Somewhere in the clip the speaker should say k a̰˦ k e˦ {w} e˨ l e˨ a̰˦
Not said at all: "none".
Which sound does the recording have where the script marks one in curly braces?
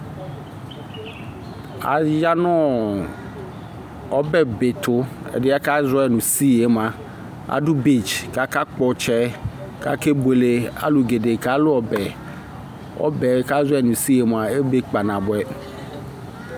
b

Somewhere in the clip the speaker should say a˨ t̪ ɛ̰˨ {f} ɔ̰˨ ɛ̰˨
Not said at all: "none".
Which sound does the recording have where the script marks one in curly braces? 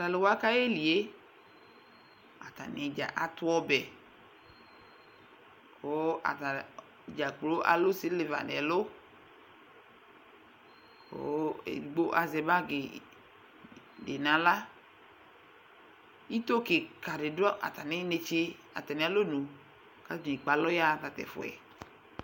f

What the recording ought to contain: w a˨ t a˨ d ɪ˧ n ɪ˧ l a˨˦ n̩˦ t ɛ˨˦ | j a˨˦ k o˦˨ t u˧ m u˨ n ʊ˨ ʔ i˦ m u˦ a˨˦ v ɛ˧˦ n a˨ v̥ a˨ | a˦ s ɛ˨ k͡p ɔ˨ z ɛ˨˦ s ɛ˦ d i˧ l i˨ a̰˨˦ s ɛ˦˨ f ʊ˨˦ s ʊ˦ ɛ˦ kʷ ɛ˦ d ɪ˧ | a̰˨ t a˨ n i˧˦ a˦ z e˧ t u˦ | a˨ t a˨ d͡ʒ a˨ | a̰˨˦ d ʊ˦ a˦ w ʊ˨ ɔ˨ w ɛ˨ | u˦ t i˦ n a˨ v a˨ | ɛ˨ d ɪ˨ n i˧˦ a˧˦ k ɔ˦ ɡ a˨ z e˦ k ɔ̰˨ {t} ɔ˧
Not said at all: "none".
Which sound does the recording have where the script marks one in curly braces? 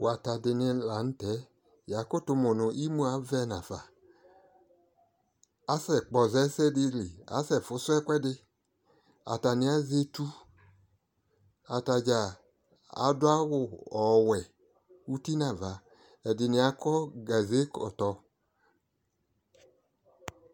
t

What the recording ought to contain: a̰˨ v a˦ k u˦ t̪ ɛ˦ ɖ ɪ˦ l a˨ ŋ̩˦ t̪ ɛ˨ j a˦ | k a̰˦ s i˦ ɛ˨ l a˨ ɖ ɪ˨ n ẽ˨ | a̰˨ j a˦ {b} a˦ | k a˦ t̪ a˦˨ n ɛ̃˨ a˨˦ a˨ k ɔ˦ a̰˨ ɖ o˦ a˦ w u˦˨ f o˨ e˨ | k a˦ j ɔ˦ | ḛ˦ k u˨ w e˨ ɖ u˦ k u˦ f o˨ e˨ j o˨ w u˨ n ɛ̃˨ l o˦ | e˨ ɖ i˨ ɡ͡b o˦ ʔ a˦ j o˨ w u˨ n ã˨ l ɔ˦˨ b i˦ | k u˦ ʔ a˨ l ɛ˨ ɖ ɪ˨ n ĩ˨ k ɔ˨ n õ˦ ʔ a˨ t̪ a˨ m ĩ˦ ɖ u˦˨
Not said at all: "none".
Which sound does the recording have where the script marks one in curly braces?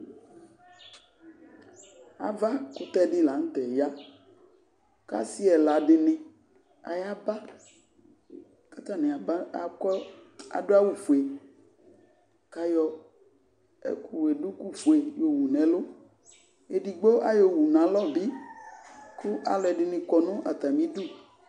b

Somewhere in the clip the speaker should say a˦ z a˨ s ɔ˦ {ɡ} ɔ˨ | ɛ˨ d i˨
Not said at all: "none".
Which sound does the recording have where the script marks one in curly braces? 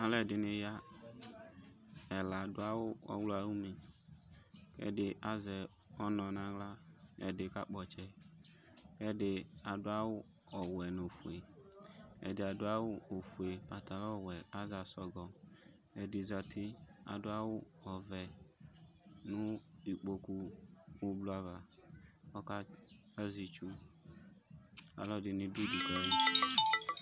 ɡ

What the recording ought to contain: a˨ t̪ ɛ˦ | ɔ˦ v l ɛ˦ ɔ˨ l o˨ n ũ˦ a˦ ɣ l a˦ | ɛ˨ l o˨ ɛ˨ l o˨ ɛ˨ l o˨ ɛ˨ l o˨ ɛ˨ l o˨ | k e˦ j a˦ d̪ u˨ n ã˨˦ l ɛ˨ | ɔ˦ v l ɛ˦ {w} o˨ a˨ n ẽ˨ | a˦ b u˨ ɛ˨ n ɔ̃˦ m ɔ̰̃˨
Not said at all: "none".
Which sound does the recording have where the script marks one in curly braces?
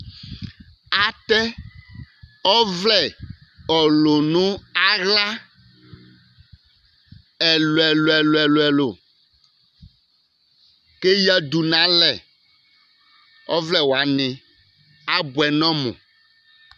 w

